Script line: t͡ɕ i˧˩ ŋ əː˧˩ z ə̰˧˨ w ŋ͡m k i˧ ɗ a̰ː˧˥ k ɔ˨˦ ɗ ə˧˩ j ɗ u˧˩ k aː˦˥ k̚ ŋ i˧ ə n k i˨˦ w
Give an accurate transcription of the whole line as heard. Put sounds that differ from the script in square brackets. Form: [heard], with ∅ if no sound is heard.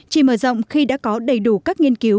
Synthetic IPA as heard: t͡ɕ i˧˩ [m] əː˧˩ z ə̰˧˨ w ŋ͡m [x] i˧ ɗ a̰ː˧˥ k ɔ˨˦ ɗ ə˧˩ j ɗ u˧˩ k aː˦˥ k̚ ŋ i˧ ə n k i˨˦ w